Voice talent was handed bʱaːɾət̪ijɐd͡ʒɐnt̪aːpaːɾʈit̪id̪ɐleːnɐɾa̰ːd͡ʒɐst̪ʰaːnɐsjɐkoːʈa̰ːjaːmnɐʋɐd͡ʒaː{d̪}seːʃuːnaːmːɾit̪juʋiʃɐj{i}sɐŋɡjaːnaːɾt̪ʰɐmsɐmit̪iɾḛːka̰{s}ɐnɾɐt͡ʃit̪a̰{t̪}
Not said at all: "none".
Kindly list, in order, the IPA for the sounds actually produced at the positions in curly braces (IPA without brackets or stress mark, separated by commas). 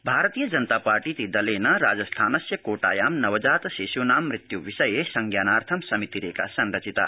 t̪, e, s, none